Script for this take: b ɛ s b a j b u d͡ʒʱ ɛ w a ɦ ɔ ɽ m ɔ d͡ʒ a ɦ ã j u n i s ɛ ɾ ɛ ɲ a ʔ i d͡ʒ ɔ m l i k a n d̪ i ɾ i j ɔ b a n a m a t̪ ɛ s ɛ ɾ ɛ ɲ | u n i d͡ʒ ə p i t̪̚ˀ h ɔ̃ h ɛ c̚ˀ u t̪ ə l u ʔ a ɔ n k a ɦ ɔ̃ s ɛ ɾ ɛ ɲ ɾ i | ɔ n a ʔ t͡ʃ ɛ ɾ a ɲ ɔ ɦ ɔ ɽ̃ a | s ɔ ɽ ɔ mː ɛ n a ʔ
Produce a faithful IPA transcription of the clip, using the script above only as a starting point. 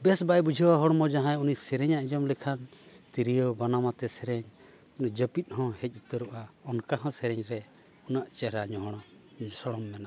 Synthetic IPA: b ɛ s b a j b u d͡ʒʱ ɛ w a ɦ ɔ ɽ m ɔ d͡ʒ a ɦ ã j u n i s ɛ ɾ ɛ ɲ a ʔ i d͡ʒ ɔ m l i kʰ a n t̪ i ɾ i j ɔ b a n a m a t̪ ɛ s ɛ ɾ ɛ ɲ | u n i d͡ʒ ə p i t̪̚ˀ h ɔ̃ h ɛ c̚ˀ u t̪ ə ɾ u ʔ a ɔ n k a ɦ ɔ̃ s ɛ ɾ ɛ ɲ ɾ ɛ | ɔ n a ʔ t͡ʃ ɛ ɾ a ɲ ɔ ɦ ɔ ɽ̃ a | s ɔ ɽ ɔ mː ɛ n a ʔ